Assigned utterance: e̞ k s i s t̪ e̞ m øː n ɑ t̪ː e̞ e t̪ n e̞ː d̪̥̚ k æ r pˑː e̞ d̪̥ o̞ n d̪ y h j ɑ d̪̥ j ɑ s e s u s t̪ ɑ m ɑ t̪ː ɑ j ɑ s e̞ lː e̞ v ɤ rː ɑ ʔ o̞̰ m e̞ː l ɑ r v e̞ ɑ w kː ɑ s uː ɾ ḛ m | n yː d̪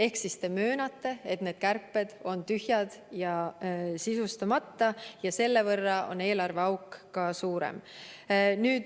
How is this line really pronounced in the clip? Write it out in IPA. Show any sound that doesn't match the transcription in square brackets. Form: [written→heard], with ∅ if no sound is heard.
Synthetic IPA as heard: e̞ k s i s t̪ e̞ m øː n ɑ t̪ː e̞ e t̪ n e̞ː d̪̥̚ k æ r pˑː e̞ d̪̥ o̞ n [d̪→t̪] y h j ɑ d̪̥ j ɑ s [e→i] s u s t̪ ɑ m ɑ t̪ː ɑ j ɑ s e̞ lː e̞ v ɤ rː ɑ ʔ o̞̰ [m→n] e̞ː l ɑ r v e̞ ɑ w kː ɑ s uː ɾ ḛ m | n yː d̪